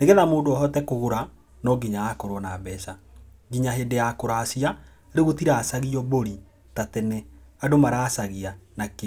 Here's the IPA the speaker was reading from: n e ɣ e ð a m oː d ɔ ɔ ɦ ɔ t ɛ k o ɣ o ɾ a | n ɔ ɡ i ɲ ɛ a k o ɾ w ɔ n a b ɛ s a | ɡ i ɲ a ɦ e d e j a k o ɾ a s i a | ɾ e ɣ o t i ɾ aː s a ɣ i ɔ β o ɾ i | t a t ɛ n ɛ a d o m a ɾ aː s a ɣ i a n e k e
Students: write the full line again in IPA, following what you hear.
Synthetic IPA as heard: n e ɣ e ð a m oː d o ɔ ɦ ɔ t ɛ k o ɣ o ɾ a | n ɔ ɡ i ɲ a a k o ɾ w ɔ n a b ɛ s a | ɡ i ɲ a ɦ e d e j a k o ɾ a s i a | ɾ e ɣ o t i ɾ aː s a ɣ i ɔ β o ɾ i | t a t ɛ n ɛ a d o m a ɾ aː s a ɣ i a n a k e